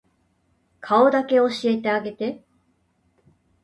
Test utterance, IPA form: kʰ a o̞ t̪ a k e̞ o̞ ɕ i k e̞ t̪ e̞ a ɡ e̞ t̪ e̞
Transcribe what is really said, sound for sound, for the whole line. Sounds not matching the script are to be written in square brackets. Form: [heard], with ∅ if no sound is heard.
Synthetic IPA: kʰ a o̞ [d̪] a k e̞ o̞ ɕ i [∅] e̞ t̪ e̞ a ɡ e̞ t̪ e̞

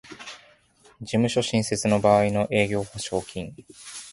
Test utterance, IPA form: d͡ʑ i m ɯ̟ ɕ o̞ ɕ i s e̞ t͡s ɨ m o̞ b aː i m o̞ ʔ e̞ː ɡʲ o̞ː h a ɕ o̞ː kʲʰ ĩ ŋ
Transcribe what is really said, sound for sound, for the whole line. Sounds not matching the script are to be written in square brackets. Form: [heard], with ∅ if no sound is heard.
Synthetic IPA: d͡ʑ i m ɯ̟ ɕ o̞ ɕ [ĩ] s e̞ t͡s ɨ [n] o̞ b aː i [n] o̞ ʔ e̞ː ɡʲ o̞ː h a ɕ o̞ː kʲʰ ĩ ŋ

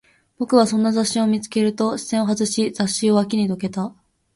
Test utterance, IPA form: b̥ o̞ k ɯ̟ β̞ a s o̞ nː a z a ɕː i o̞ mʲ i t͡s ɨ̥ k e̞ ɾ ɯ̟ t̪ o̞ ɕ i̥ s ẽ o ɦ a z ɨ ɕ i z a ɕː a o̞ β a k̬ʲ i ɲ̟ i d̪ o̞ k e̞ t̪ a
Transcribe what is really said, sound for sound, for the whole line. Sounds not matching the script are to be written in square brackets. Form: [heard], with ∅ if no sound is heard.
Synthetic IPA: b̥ o̞ k ɯ̟ β̞ a s [õ̞] nː a z a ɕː i o̞ mʲ i t͡s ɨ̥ k e̞ ɾ ɯ̟ t̪ o̞ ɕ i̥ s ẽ o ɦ a z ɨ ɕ i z a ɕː [i] o̞ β a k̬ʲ i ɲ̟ i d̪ o̞ k e̞ t̪ a

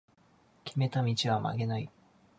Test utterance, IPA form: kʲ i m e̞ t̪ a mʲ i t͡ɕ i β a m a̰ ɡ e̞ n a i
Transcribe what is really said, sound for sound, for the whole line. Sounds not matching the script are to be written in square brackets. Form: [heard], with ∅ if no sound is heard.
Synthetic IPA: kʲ i m e̞ t̪ a mʲ i t͡ɕ i β a m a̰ ɡ e̞ n a i

